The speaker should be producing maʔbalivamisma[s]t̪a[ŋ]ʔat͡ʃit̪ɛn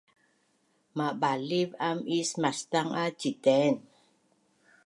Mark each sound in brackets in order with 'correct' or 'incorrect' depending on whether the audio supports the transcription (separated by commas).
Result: correct, correct